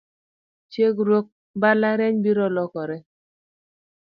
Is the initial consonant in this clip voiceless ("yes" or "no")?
yes